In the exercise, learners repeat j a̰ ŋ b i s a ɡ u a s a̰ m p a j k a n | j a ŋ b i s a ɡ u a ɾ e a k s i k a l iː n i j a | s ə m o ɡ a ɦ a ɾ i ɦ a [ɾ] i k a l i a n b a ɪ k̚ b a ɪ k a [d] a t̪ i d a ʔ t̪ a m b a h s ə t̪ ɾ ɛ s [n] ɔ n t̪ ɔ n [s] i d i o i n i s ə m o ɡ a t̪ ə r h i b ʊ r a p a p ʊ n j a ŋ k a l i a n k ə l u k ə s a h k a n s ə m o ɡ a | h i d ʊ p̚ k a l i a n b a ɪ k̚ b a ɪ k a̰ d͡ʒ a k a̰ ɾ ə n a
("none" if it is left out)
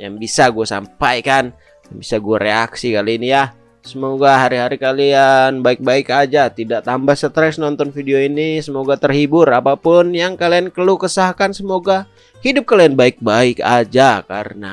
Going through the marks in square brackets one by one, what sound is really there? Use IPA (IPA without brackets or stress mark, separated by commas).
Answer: ɾ, d͡ʒ, n, f